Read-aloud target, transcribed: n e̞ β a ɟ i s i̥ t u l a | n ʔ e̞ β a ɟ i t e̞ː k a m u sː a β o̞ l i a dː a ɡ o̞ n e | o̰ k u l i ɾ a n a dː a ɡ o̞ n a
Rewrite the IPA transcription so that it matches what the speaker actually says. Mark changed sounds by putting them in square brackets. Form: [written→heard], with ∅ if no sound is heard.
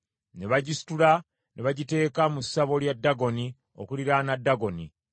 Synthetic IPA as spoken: n e̞ β a ɟ i s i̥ t u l a | n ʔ e̞ β a ɟ i t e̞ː k a m u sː a β o̞ l [i→j] a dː a ɡ o̞ n [e→i] | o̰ k u l i ɾ a n a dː a ɡ o̞ n [a→i]

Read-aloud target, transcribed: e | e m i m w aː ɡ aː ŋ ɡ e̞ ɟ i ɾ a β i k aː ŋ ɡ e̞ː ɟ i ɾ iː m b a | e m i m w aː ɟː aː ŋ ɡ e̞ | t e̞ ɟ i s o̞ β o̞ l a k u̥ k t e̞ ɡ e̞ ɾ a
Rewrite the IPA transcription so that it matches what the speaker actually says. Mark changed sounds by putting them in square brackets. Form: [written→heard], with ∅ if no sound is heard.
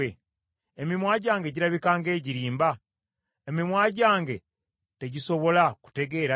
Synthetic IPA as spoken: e | e m i m w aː [ɡ→ɟ] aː ŋ ɡ e̞ ɟ i ɾ a β i k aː ŋ ɡ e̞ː ɟ i ɾ iː m b a | e m i m w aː [ɟː→ɟ] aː ŋ ɡ e̞ | t e̞ ɟ i s o̞ β o̞ l a k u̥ [k→∅] t e̞ ɡ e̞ ɾ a

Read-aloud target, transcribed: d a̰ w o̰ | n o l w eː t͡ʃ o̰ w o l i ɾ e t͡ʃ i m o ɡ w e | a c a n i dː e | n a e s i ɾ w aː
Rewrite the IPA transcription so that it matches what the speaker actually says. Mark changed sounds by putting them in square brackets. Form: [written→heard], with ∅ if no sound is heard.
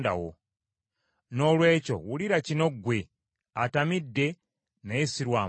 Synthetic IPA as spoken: d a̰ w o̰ | n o l w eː t͡ʃ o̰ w [o→u] l i ɾ [e→a] t͡ʃ i [m→n] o ɡ w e | a [c→t] a [n→m] i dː e | n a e s i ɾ w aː

